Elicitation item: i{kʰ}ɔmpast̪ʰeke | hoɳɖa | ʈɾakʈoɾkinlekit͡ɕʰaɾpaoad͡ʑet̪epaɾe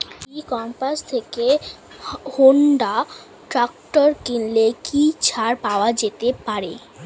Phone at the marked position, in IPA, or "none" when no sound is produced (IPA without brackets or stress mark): k